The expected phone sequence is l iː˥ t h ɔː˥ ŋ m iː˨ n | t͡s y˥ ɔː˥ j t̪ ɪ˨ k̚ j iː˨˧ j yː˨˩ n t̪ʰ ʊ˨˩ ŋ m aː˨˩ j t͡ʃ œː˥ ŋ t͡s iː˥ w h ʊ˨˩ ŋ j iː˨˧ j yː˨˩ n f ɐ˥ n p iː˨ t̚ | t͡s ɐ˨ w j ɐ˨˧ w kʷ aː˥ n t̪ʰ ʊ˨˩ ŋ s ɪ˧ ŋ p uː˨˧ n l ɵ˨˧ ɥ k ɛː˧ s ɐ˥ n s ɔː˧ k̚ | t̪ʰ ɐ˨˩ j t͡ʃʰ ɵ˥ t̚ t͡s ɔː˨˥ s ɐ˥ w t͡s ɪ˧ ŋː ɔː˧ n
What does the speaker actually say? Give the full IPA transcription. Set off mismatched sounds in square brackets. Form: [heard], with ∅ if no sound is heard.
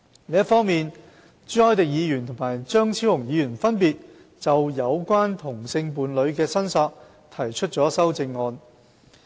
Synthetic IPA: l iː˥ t [f] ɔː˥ ŋ m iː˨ n | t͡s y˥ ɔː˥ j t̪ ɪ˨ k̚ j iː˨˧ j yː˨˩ n t̪ʰ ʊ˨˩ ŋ m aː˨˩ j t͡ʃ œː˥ ŋ [t͡sʰ] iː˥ w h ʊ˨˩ ŋ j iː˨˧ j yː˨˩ n f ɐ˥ n p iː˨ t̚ | t͡s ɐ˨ w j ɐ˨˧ w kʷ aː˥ n t̪ʰ ʊ˨˩ ŋ s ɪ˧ ŋ p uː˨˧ n l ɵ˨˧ ɥ k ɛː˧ s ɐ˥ n s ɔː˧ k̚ | t̪ʰ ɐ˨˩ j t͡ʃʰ ɵ˥ t̚ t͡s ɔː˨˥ s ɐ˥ w t͡s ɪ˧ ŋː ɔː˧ n